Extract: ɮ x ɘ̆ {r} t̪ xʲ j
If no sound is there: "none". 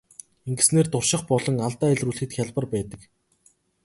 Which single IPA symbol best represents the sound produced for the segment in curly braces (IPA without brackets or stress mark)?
none